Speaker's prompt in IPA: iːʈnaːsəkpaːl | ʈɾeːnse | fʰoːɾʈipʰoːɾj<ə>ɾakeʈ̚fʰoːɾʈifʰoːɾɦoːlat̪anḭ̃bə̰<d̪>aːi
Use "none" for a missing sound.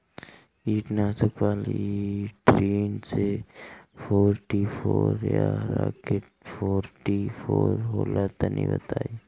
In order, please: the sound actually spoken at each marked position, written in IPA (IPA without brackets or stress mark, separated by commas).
a, t̪